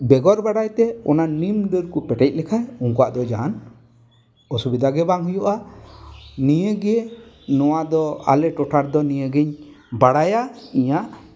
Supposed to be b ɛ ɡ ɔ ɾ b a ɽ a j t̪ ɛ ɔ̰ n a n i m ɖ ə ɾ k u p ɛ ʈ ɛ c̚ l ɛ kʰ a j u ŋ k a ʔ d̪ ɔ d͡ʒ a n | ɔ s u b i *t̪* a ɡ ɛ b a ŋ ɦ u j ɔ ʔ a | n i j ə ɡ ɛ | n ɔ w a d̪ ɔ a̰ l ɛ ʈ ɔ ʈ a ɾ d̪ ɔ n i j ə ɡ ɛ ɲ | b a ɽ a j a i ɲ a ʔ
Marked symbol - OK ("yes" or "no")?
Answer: no